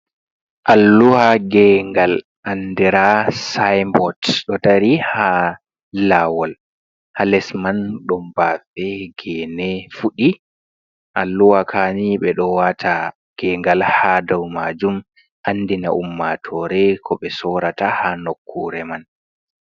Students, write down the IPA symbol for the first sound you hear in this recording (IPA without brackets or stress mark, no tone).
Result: ʔ